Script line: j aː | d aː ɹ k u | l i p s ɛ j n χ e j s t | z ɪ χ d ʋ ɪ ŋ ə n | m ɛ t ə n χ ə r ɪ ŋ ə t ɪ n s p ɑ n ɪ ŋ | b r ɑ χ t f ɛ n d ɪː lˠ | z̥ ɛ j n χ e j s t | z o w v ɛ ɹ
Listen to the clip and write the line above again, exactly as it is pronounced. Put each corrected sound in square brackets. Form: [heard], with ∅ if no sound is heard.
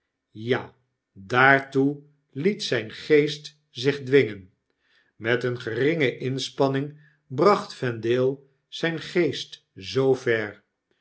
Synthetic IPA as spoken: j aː | d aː ɹ [t] u | l i [t] s ɛ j n χ e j s t | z ɪ χ d ʋ ɪ ŋ ə n | m ɛ t ə n χ ə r ɪ ŋ ə [ʔ] ɪ n s p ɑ n ɪ ŋ | b r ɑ χ t f ɛ n d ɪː lˠ | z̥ ɛ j n χ e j s t | z o w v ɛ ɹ